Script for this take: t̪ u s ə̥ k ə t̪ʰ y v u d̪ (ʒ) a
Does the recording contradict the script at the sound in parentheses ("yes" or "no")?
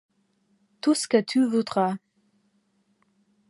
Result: yes